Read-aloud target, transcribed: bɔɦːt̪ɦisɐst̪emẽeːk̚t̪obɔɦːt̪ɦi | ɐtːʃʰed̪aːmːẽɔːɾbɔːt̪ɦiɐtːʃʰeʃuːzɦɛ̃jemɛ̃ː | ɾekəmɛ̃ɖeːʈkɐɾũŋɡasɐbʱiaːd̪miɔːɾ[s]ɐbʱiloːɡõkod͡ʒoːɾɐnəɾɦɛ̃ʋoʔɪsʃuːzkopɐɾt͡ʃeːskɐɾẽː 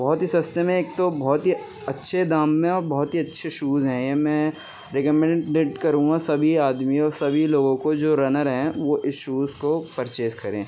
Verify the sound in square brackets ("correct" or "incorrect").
correct